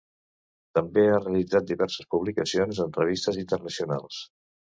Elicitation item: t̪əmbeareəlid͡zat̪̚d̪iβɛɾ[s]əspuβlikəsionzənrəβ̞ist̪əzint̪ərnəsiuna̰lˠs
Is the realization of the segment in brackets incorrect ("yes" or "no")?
no